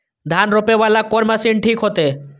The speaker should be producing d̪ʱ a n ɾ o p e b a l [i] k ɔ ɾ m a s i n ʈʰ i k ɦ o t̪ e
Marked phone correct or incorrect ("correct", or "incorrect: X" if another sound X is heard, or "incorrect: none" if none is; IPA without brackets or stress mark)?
incorrect: a